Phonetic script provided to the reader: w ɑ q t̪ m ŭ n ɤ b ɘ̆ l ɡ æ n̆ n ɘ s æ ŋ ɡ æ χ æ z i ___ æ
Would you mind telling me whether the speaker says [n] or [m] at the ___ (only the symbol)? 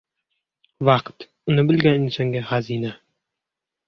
n